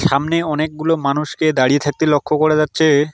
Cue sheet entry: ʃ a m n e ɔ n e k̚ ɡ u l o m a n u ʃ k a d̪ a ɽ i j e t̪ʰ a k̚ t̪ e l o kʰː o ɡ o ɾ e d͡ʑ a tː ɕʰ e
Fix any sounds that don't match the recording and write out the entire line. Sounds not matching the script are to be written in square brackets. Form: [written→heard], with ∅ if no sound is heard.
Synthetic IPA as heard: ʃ a m n e ɔ n e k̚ ɡ u l o m a n u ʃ k [a→e] d̪ a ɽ i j e t̪ʰ a k̚ t̪ e l o kʰː o [ɡ→k] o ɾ e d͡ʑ a tː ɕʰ e